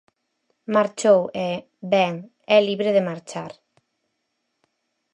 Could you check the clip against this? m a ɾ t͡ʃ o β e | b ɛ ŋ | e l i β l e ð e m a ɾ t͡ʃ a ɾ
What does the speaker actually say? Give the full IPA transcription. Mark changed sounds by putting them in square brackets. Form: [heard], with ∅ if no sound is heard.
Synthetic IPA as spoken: m a ɾ t͡ʃ o [w] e | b ɛ ŋ | [ɛ] l i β [ɾ] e ð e m a ɾ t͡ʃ a ɾ